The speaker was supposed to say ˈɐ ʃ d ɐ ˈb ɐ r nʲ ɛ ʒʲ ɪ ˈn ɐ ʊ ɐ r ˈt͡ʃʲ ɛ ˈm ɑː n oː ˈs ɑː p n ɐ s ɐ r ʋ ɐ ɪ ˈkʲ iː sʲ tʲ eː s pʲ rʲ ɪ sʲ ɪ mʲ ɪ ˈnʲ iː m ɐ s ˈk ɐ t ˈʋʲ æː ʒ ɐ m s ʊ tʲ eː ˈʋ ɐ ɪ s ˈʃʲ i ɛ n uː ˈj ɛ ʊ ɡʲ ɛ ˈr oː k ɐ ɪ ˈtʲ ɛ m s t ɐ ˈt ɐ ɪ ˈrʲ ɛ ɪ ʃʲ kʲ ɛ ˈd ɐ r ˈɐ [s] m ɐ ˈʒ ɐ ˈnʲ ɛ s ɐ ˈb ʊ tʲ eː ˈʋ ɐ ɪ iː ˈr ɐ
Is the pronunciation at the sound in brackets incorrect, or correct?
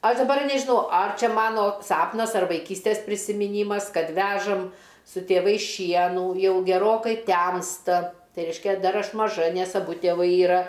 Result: incorrect